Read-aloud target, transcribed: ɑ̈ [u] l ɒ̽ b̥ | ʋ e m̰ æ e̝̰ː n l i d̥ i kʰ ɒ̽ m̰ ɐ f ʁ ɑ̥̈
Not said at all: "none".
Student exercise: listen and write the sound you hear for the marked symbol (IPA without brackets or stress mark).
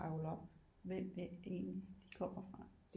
ʊ